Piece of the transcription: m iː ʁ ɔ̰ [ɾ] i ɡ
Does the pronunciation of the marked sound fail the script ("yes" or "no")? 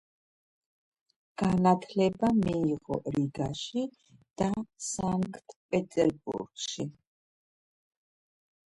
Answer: no